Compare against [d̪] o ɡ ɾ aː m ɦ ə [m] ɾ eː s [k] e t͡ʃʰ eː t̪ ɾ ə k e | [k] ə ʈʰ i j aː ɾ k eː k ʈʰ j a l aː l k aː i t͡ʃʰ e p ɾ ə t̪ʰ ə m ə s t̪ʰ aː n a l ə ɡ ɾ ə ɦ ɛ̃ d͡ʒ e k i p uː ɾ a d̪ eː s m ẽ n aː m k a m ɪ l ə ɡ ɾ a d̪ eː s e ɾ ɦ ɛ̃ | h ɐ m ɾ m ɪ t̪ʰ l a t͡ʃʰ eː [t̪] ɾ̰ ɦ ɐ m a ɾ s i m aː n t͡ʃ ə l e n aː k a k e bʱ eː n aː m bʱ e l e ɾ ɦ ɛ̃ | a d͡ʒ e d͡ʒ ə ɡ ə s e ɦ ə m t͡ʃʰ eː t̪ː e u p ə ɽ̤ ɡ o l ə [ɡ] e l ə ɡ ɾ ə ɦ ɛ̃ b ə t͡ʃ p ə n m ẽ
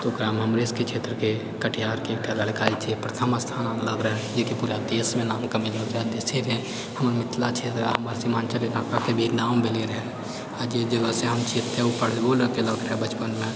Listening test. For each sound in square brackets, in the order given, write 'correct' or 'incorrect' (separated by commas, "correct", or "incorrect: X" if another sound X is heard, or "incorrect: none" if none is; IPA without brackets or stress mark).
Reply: incorrect: t̪, correct, correct, correct, correct, incorrect: k